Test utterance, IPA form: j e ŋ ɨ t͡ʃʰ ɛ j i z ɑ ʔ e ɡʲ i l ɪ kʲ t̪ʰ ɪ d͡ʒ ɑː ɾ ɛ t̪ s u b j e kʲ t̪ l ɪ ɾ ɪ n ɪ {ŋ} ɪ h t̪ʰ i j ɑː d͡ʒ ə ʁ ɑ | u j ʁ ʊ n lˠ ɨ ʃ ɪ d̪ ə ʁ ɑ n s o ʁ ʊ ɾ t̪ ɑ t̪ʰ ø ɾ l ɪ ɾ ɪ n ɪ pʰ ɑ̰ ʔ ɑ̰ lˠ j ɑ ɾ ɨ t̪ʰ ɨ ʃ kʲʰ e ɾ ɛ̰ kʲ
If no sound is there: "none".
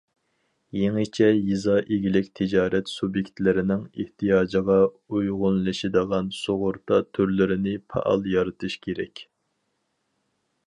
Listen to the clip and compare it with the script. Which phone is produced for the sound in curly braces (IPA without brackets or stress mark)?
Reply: ŋ